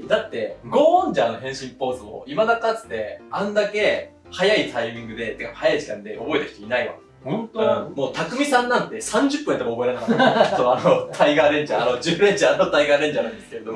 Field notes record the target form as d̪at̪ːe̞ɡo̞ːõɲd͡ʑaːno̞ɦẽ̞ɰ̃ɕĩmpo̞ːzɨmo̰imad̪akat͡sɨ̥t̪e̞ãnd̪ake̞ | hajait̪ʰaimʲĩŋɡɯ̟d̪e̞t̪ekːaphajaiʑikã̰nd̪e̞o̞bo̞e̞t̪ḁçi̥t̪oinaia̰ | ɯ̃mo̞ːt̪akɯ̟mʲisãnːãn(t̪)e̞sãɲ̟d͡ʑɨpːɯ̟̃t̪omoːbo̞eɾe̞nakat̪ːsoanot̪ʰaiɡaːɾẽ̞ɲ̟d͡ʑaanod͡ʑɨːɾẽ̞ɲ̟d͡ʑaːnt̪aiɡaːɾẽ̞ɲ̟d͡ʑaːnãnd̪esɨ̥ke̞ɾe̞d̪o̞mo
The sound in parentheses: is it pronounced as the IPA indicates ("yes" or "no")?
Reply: yes